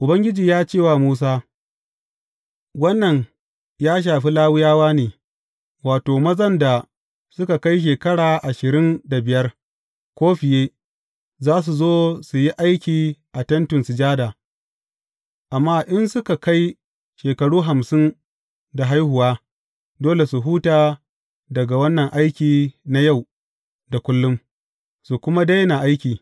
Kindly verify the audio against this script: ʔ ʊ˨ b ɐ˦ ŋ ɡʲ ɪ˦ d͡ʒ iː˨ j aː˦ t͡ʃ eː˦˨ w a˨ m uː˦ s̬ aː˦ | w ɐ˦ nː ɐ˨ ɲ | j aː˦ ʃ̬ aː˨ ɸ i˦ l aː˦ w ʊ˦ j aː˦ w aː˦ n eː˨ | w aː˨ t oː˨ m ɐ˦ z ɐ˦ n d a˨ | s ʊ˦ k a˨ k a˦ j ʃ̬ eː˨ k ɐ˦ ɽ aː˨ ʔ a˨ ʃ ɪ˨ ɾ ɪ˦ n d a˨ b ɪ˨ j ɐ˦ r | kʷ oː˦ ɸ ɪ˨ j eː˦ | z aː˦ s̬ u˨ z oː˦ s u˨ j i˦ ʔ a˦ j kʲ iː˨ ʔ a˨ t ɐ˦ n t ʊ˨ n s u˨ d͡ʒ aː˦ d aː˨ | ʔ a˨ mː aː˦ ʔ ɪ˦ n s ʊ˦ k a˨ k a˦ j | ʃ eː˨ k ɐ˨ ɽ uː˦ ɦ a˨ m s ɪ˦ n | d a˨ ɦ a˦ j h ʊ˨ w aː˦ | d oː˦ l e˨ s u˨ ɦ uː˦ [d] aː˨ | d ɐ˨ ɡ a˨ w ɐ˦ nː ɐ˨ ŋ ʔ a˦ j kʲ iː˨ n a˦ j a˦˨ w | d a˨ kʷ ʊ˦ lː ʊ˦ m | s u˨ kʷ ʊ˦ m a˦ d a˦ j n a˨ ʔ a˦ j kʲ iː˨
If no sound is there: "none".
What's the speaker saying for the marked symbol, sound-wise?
t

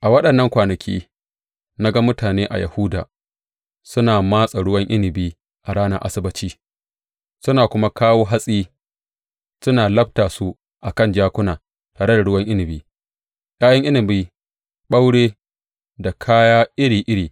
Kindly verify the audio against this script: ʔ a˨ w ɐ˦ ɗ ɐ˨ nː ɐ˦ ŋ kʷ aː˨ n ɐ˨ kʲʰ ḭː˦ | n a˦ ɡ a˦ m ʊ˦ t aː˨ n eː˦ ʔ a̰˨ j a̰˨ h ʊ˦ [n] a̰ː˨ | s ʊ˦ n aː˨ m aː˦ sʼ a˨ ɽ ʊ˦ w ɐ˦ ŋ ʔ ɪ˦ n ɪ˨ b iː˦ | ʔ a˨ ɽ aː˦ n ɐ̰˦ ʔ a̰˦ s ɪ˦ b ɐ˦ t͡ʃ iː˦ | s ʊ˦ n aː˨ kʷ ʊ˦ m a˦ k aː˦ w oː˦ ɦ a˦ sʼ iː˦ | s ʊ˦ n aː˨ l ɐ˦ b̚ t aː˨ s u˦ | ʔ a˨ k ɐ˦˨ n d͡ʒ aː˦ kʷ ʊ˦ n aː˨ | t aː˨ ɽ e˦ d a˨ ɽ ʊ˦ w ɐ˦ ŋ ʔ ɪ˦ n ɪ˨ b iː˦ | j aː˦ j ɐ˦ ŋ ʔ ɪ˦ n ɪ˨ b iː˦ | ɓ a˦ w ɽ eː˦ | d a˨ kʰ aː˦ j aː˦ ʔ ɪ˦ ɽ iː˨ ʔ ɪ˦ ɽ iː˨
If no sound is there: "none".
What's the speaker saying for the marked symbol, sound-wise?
d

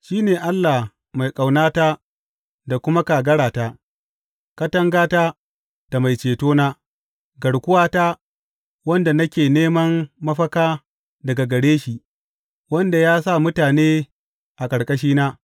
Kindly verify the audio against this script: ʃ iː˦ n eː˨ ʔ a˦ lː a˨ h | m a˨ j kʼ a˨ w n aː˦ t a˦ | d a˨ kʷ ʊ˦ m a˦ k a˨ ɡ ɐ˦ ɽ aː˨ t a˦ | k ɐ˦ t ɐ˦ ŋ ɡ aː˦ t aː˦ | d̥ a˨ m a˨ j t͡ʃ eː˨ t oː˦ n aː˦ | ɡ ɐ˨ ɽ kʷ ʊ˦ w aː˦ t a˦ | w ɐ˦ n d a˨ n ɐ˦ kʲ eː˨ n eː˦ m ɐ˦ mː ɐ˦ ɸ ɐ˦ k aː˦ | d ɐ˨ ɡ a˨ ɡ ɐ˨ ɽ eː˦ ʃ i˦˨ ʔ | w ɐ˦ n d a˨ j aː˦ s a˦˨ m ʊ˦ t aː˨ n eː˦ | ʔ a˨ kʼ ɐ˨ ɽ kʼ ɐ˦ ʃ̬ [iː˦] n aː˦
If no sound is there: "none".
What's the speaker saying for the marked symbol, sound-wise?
iː˦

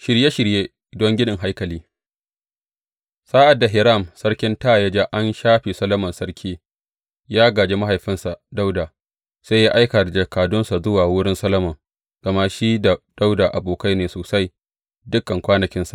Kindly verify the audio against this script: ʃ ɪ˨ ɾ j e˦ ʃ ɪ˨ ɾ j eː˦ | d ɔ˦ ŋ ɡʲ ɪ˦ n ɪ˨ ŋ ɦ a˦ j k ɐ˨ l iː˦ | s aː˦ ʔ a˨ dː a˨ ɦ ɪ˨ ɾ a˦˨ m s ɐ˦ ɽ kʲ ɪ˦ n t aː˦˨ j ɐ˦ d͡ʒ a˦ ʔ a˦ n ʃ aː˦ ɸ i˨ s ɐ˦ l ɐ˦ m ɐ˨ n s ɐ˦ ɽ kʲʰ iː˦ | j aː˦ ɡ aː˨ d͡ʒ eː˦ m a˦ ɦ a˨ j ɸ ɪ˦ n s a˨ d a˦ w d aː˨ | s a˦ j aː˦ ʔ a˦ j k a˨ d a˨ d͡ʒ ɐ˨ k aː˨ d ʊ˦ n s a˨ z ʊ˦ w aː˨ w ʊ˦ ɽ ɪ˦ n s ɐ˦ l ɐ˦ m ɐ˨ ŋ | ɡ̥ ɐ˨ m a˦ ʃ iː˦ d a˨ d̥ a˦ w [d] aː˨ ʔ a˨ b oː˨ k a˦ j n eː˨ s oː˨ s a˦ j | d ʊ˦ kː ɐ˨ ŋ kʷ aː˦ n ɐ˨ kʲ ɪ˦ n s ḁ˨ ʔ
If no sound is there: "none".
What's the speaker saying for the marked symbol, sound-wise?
d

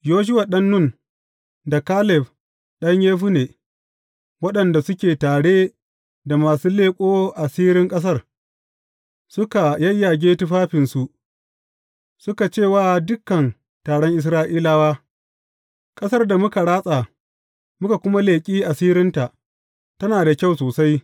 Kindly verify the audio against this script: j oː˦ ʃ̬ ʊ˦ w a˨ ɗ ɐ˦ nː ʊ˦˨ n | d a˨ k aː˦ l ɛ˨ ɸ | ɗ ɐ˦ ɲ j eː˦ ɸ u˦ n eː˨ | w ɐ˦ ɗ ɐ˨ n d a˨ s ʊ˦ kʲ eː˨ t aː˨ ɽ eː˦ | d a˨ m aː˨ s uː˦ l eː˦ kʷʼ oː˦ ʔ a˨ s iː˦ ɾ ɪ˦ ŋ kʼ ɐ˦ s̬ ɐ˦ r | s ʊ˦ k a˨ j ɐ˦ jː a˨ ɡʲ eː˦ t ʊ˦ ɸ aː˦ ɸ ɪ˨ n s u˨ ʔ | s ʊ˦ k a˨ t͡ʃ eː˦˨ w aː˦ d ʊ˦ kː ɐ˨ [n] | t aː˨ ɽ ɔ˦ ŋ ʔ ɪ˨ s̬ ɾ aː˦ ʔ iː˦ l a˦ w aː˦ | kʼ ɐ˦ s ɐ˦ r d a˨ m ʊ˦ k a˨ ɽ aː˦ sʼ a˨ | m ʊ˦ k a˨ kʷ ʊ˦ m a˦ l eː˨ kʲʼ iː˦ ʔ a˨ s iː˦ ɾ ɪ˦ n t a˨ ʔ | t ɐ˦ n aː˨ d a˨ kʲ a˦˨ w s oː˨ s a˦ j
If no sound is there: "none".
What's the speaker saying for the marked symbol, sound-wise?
n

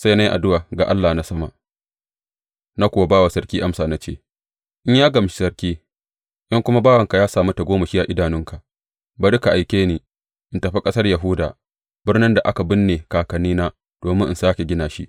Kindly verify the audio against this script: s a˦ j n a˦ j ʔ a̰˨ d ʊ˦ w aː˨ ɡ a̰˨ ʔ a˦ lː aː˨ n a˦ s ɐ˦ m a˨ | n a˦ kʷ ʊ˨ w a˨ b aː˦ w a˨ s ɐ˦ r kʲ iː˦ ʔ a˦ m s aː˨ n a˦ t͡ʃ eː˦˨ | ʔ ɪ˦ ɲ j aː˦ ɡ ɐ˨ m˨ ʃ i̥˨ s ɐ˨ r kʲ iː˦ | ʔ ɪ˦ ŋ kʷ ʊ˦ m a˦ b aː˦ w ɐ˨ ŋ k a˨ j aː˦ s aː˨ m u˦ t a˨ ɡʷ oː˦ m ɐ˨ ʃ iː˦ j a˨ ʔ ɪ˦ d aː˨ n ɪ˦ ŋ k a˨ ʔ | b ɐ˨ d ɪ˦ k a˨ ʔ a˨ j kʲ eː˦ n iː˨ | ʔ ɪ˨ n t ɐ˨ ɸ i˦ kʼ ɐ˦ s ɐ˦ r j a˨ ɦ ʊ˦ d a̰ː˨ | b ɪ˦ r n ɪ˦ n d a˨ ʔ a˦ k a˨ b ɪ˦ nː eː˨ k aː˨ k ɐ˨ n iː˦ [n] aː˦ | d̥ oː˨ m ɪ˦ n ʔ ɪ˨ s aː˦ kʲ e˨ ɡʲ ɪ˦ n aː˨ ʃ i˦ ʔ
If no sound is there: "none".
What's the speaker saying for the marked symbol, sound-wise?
n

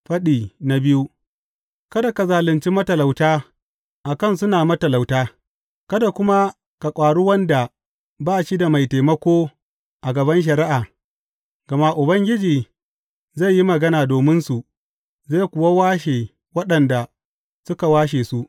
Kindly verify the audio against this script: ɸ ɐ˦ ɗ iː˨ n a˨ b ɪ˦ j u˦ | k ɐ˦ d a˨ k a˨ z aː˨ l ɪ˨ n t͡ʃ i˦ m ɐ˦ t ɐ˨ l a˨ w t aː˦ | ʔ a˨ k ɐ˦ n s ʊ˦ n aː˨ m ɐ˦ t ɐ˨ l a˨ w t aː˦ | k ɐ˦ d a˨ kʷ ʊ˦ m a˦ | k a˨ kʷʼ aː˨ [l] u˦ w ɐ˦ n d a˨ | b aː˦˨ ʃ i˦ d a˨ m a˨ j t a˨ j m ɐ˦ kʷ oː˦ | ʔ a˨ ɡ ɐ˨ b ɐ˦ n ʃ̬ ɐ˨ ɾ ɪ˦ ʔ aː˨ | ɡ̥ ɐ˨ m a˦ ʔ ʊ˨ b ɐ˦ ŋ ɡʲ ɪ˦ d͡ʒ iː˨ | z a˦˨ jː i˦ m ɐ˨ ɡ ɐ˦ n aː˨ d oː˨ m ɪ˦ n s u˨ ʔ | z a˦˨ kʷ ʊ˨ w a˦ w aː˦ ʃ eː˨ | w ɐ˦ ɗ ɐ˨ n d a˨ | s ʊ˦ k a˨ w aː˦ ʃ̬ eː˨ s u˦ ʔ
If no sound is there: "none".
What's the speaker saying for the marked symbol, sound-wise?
ɽ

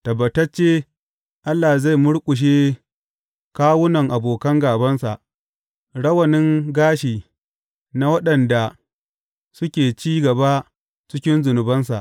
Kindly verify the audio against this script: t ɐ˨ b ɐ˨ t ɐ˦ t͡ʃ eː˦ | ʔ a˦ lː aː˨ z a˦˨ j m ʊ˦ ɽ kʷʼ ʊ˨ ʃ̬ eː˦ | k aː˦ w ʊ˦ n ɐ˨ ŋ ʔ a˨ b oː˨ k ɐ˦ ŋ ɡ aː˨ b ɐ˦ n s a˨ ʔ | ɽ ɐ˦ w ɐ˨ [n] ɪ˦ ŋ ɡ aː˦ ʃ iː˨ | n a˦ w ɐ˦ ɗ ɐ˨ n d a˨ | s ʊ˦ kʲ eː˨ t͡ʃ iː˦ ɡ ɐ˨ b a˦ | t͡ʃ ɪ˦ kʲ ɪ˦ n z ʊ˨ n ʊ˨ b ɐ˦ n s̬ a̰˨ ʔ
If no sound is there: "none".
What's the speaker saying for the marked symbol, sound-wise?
n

